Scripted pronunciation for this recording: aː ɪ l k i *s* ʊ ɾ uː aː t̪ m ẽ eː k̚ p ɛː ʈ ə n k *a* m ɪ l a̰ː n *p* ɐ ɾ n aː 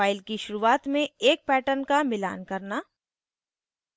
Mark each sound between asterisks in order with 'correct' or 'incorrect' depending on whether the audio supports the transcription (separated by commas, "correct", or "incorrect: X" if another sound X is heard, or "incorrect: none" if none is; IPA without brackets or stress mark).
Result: incorrect: ʃ, correct, incorrect: k